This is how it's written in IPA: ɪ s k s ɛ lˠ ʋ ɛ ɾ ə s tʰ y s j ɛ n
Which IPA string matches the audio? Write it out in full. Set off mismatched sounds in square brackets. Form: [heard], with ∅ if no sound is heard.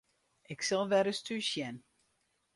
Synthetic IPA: ɪ [∅] k s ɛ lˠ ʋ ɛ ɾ ə s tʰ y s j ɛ n

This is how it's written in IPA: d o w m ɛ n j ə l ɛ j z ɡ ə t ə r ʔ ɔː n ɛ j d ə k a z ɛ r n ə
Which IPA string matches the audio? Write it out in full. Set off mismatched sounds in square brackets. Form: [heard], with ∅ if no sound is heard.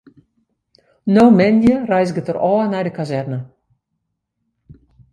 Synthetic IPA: [n] o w m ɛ n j ə [r] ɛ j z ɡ ə t ə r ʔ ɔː n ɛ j d ə k a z ɛ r n ə

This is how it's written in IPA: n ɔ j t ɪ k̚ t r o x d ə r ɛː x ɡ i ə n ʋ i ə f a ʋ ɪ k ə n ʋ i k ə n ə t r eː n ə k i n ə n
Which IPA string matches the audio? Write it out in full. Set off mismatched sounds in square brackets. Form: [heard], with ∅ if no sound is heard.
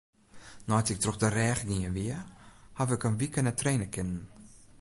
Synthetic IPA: n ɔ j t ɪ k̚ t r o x d ə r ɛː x ɡ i ə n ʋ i ə [h] a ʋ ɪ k ə n ʋ i k ə n ə t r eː n ə k [ɪ] n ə n

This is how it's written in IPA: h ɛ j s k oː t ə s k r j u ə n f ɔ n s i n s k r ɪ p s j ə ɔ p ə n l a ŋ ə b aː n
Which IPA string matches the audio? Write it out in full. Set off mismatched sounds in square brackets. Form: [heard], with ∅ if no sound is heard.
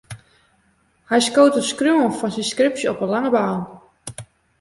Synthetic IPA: h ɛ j s k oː t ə s k r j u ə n f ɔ n s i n s k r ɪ p s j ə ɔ p ə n l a ŋ ə b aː n

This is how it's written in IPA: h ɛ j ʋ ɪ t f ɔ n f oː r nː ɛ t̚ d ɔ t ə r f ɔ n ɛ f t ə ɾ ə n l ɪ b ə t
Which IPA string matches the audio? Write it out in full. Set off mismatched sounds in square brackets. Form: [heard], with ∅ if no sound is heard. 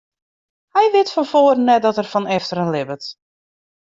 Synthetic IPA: h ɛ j ʋ ɪ t f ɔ n f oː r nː ɛ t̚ d ɔ t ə r f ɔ n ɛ f t ə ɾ ə n l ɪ b ə t

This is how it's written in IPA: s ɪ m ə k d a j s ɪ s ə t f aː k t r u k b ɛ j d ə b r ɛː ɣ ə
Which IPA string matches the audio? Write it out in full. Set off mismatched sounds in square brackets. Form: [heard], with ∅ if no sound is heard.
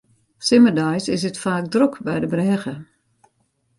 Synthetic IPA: s ɪ m ə [∅] d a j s ɪ s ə t f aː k [d] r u k b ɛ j d ə b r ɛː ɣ ə

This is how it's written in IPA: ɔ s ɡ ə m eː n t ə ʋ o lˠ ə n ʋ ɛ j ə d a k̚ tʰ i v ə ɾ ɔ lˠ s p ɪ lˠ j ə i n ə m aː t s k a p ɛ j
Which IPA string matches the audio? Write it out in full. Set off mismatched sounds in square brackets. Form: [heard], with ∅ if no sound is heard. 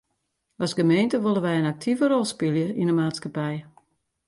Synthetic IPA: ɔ s ɡ ə m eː n t ə ʋ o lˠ ə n ʋ ɛ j ə [n] a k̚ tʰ i v ə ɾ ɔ lˠ s p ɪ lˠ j ə i n ə m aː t s k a p ɛ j

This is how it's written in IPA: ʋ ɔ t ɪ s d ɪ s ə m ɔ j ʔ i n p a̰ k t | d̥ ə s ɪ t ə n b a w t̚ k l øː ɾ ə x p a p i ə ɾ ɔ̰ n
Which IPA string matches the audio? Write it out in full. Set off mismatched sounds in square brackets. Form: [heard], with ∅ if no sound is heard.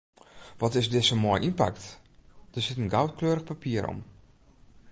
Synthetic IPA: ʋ ɔ t ɪ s d ɪ s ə m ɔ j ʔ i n p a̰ k t | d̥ ə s ɪ t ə n [ɡ] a w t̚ k l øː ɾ ə x p a p i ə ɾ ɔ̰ [m]

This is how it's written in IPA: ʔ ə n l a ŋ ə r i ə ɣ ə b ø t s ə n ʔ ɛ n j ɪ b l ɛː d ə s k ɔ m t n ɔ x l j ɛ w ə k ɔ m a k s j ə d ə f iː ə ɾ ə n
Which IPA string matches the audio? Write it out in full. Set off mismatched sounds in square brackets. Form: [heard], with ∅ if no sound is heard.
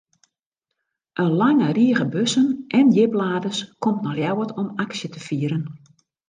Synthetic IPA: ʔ ə n l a ŋ ə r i ə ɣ ə b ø [∅] s ə n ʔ ɛ n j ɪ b l [aː] d ə s k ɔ m t n ɔ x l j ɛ w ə [t] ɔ m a k s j ə [t] ə f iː ə ɾ ə n

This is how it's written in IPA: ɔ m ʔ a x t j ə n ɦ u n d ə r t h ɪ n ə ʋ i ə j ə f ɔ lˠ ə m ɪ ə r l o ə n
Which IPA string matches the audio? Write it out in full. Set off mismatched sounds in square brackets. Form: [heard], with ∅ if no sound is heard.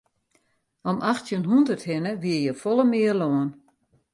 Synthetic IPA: ɔ m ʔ a x t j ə n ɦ u n d ə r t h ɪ n ə ʋ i ə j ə f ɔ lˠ ə m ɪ ə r l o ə n

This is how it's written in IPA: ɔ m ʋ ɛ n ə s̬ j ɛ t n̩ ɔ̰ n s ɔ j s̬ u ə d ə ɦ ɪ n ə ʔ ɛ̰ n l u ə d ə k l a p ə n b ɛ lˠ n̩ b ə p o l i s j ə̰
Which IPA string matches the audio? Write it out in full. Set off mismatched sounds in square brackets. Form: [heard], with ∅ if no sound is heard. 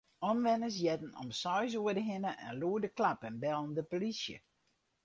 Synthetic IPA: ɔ m ʋ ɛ n ə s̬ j ɛ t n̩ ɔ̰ [m] s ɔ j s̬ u ə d ə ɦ ɪ n ə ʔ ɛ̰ n l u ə d ə k l a p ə n b ɛ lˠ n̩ [d] ə p o l i s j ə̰

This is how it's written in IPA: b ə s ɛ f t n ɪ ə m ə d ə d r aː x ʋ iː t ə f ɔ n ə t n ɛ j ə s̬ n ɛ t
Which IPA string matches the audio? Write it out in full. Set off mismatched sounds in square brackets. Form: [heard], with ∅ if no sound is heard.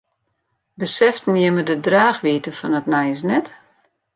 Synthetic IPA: b ə s ɛ f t n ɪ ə m ə d ə d r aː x ʋ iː t ə f ɔ n ə t n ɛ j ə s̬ n ɛ t

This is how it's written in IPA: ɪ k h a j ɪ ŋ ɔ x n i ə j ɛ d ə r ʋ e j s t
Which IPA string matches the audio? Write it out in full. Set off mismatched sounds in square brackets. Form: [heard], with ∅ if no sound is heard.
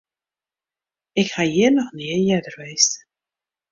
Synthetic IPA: ɪ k h a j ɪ [n] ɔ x n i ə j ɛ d ə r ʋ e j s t

